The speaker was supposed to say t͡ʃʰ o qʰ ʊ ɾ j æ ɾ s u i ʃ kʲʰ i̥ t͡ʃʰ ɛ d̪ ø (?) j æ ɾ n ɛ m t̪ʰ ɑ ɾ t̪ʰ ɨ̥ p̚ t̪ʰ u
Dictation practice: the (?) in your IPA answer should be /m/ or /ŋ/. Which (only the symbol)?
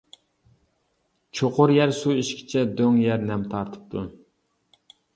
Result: ŋ